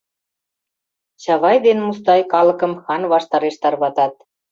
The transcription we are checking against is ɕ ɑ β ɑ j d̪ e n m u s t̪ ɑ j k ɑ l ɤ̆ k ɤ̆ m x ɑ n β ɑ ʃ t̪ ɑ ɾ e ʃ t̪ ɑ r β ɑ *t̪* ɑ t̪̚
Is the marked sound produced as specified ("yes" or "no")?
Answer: yes